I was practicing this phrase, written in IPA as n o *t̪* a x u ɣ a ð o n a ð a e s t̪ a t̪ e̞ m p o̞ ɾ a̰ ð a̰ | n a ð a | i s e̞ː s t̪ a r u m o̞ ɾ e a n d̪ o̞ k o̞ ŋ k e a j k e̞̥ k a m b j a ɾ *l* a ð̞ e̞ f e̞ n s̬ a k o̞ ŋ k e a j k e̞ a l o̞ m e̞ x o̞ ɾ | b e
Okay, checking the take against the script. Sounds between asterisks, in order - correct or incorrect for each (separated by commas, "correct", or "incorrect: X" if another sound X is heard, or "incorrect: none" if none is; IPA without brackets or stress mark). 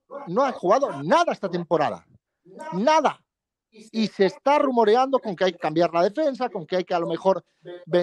incorrect: none, correct